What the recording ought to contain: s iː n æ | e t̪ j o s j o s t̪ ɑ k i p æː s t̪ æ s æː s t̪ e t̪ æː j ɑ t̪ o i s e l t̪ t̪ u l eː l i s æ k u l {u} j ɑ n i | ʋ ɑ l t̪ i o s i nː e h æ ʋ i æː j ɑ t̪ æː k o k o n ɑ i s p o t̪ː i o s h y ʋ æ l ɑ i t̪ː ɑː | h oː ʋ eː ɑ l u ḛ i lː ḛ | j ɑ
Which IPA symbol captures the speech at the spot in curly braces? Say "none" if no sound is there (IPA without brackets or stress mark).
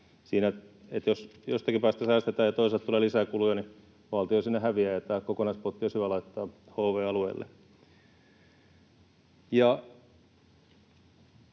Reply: u